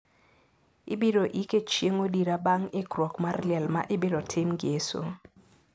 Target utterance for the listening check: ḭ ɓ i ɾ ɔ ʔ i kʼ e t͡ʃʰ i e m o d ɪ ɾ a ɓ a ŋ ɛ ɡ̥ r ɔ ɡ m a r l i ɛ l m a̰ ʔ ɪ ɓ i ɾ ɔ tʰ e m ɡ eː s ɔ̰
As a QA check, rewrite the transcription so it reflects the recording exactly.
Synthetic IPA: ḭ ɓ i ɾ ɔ ʔ i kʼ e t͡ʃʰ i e ŋ o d i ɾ a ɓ a ŋ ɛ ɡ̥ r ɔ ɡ m a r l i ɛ l m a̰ ʔ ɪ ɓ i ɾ ɔ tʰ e m ɡ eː s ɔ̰

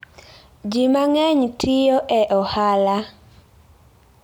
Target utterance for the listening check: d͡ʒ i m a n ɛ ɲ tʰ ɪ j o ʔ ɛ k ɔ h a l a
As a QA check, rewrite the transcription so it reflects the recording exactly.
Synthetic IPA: d͡ʒ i m a ŋ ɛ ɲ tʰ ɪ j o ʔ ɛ ʔ ɔ h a l a

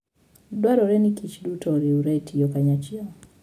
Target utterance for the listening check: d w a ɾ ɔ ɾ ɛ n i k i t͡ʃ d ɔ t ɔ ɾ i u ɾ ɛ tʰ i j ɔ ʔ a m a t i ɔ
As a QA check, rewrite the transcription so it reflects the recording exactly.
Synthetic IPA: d w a ɾ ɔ ɾ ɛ n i k i t͡ʃ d u t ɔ ɾ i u ɾ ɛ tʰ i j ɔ k a ɲ a t͡ʃ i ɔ

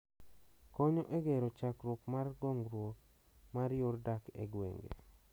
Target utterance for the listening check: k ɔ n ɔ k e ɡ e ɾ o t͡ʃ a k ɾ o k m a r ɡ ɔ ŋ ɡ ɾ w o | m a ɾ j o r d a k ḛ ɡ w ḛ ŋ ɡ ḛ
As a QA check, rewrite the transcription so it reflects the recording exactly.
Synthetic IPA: k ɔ ɲ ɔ ʔ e ɡ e ɾ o t͡ʃ a k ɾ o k m a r ɡ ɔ ŋ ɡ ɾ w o | m a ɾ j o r d a k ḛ ɡ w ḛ ŋ ɡ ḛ

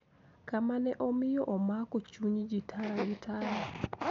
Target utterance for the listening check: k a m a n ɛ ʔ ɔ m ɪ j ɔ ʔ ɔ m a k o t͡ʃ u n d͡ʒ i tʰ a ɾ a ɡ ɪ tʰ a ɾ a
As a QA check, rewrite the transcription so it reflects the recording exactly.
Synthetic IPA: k a m a n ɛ ʔ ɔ m ɪ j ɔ ʔ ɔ m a k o t͡ʃ u ɲ d͡ʒ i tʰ a ɾ a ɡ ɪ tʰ a ɾ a

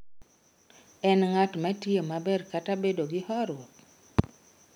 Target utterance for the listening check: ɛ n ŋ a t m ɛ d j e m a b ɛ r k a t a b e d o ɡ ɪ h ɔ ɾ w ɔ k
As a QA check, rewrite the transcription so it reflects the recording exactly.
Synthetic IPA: ɛ n ŋ a t m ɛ t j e m a b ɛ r k a t a b e d o ɡ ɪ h ɔ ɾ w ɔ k

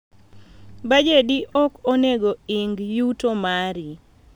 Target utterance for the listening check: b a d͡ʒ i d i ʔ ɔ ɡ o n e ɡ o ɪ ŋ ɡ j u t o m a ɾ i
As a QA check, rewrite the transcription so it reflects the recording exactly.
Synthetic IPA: b a d͡ʒ e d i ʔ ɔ k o n e ɡ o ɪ ŋ ɡ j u t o m a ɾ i

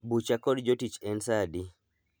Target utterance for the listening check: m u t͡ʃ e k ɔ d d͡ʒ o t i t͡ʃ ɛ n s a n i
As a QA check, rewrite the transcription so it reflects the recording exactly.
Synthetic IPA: b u t͡ʃ a k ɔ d d͡ʒ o t i t͡ʃ ɛ n s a d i

